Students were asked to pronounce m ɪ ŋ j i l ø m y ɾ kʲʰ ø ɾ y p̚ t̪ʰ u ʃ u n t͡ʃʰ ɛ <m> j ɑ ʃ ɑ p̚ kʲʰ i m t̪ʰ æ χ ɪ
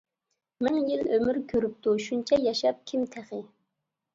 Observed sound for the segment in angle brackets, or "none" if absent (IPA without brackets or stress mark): none